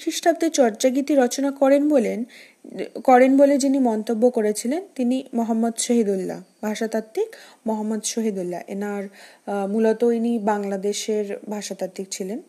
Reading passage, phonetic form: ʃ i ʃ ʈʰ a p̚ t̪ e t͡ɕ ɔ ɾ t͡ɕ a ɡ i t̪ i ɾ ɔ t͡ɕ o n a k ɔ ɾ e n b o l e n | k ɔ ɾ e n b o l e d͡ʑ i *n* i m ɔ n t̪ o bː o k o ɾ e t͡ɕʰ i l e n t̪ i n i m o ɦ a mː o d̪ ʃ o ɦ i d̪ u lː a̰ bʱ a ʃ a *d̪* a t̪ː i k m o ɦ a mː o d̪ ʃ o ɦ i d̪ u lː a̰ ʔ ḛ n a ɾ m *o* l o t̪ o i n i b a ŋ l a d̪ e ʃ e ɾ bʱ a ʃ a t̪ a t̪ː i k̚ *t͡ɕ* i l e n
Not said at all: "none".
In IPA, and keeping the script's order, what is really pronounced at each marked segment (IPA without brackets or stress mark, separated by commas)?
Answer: n, t̪, u, t͡ɕʰ